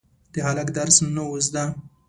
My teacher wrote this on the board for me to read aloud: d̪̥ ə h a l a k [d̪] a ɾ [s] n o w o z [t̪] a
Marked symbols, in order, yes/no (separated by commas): yes, yes, no